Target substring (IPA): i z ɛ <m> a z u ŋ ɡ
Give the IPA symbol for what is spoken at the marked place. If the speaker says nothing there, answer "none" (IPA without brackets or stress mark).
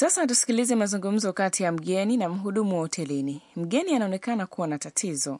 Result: m